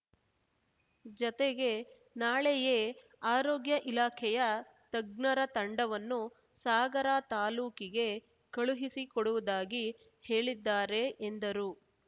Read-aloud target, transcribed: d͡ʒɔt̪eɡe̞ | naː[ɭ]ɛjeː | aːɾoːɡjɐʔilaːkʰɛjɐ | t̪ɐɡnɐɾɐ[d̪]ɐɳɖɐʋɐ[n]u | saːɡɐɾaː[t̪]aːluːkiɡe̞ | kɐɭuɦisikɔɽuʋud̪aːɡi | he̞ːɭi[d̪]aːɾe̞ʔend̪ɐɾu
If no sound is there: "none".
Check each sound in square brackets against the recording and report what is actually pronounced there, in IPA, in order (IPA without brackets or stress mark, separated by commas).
ɭ, t̪, nː, t̪, d̪ː